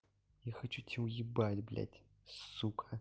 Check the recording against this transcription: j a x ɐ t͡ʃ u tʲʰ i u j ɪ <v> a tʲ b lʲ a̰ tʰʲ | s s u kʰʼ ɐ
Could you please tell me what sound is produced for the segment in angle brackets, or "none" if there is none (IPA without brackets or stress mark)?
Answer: b